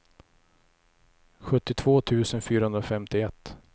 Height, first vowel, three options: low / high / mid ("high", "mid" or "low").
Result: mid